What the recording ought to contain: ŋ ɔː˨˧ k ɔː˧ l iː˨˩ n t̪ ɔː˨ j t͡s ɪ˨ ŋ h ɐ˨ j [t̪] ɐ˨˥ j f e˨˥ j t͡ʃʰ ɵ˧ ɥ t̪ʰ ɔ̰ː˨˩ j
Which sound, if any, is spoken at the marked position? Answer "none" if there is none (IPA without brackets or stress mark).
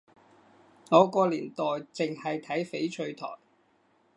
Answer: t̪ʰ